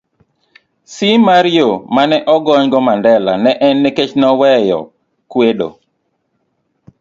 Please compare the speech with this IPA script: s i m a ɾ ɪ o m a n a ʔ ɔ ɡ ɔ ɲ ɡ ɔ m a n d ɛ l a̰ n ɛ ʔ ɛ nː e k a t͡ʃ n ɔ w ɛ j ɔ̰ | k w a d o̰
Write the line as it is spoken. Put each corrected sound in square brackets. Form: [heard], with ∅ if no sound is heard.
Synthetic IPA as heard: s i m a ɾ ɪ o m a n [ɛ] ʔ ɔ ɡ ɔ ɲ ɡ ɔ m a n d ɛ l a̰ n ɛ ʔ ɛ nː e k [e] t͡ʃ n ɔ w ɛ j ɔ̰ | k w [e] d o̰